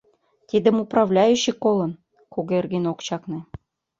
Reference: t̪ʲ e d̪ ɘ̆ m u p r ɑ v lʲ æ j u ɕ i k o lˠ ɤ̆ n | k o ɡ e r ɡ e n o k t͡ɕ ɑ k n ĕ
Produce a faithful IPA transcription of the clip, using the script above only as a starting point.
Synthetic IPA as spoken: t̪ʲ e d̪ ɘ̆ m u p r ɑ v lʲ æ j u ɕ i k o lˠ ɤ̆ n | k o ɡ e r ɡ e n o k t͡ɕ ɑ k n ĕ

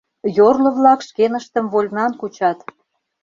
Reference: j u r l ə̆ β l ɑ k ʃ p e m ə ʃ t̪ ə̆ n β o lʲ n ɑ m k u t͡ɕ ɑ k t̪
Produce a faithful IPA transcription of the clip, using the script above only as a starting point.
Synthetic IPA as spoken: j o r l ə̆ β l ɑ k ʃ k e n ə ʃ t̪ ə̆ m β o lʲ n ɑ n k u t͡ɕ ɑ t̪

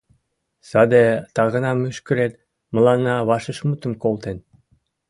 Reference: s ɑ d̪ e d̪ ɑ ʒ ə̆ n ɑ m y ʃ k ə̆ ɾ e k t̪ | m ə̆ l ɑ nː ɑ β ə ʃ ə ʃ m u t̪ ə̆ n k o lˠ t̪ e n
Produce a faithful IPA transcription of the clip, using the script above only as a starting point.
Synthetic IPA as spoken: s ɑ d̪ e t̪ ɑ ɣ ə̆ n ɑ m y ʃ k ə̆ ɾ e t̪ | m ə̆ l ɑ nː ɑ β ɑ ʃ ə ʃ m u t̪ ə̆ m k o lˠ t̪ e n

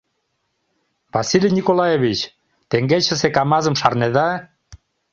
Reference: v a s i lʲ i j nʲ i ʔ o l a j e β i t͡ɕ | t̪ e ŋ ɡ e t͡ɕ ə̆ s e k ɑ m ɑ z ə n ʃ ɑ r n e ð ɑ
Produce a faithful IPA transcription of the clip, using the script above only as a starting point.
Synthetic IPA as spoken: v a s i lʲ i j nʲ i k o l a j e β i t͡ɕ | t̪ e ŋ ɡ e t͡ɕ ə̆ s e k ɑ m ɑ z ə m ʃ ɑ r n e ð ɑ

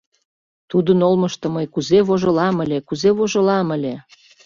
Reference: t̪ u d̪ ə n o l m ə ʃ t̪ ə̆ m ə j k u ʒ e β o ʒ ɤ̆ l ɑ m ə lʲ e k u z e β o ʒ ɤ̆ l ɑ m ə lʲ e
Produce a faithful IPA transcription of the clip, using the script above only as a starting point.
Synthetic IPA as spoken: t̪ u d̪ ə n o l m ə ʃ t̪ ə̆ m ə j k u z e β o ʒ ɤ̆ l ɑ m ə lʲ e k u z e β o ʒ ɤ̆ l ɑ m ə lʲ e

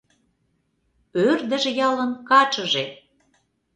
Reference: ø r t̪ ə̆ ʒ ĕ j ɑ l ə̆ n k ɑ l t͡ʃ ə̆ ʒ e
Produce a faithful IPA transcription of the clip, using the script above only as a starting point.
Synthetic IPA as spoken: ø r d̪ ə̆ ʒ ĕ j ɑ l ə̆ n k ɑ t͡ʃ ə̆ ʒ e

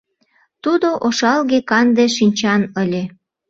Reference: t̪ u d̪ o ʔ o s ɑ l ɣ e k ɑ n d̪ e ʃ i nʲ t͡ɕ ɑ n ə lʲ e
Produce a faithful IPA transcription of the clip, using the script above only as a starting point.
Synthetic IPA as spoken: t̪ u d̪ o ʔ o ʃ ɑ l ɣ e k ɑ n d̪ e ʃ i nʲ t͡ɕ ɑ n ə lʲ e

